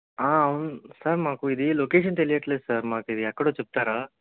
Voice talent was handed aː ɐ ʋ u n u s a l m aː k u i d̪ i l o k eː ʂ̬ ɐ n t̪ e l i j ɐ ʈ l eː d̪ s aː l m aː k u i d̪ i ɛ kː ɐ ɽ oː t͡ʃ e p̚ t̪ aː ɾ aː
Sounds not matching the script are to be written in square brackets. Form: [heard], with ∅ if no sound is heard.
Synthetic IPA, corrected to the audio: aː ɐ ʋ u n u s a [ɾ] m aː k u i d̪ i l o k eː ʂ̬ ɐ n t̪ e l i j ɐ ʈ l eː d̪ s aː [ɾ] m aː k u i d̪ i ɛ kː ɐ ɽ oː t͡ʃ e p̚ t̪ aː ɾ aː

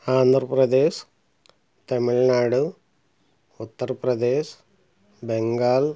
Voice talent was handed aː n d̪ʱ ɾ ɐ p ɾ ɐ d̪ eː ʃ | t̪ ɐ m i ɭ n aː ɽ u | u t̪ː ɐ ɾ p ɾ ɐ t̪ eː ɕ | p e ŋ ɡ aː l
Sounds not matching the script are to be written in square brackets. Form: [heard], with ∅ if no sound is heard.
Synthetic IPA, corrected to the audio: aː n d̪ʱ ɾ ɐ p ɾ ɐ d̪ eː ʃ | t̪ ɐ m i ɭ n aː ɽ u | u t̪ː ɐ ɾ p ɾ ɐ [d̪] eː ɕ | [b] e ŋ ɡ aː l

